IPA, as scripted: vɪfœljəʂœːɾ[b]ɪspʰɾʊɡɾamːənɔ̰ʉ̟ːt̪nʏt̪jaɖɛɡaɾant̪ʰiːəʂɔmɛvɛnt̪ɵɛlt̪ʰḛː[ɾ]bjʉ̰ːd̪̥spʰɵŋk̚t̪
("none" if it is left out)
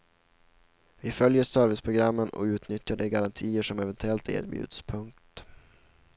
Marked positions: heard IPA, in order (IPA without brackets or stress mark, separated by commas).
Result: v, ɾ